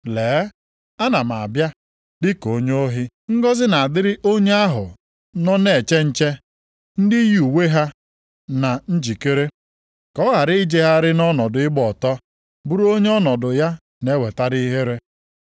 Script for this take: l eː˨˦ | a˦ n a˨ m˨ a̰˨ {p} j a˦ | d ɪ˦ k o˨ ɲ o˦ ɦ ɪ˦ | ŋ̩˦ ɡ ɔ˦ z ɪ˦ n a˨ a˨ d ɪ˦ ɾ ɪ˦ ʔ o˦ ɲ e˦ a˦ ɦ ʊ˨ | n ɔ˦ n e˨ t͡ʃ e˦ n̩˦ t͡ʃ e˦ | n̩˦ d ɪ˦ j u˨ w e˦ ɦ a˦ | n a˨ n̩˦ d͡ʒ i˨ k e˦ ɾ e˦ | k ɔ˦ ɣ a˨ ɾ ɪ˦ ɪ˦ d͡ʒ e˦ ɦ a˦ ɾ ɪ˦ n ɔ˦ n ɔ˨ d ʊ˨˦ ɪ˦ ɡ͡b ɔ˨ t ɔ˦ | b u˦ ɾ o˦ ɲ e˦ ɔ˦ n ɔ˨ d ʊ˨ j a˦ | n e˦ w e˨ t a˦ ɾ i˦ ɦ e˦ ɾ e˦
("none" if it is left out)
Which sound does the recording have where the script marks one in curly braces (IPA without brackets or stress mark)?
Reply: b